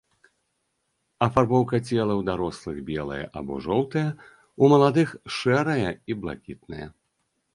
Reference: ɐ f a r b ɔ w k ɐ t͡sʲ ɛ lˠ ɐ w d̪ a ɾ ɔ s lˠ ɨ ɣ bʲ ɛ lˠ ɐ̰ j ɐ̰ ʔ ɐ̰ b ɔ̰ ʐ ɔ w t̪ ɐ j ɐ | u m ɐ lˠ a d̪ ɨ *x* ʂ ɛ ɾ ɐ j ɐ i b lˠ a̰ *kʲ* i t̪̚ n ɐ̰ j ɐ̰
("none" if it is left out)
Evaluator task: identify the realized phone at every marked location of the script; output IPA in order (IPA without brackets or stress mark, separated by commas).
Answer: x, kʲ